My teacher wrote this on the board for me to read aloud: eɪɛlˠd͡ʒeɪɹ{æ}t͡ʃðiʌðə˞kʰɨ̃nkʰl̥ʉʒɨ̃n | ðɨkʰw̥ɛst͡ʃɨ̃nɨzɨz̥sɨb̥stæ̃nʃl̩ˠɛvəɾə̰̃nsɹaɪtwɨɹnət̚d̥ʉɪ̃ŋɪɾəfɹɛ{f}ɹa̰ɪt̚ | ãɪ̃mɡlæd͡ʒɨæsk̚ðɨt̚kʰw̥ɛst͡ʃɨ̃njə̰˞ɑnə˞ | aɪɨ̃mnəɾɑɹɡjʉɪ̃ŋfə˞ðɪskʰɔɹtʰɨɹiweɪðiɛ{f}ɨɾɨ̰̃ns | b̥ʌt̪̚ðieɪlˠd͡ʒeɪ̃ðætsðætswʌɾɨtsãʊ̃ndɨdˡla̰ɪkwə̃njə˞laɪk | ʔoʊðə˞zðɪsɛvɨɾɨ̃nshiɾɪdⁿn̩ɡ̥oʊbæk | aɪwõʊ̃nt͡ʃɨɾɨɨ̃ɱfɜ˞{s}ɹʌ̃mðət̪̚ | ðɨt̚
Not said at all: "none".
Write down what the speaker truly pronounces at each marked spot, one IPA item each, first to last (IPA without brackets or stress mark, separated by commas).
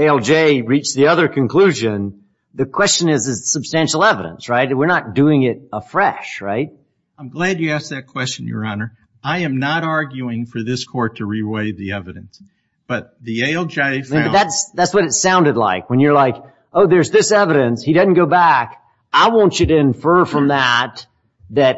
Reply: i, ʃ, v, f